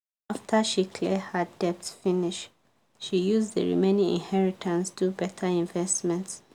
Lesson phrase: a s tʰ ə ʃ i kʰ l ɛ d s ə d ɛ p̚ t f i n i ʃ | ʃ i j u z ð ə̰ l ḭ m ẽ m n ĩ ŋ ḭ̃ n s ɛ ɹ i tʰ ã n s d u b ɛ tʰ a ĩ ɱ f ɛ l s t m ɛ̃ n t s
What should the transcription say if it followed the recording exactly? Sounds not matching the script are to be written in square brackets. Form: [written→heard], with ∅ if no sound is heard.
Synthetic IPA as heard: a [s→f] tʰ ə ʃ i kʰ l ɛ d [s→h] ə d ɛ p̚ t f i n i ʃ | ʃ i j u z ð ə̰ [l→ɹ] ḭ m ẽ [m→∅] n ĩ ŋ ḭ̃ n [s→h] ɛ ɹ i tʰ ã n s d u b ɛ tʰ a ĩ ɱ [f→v] ɛ [l→∅] s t m ɛ̃ n t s